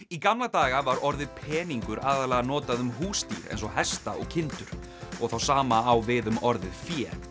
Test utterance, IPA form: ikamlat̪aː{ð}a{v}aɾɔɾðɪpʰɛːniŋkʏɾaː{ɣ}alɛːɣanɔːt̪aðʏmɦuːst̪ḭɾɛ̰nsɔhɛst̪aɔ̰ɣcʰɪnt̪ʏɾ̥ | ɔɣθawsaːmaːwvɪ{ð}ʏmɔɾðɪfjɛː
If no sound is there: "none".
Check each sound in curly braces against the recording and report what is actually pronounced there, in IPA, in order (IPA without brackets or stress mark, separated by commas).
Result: ɣ, v, ð, ð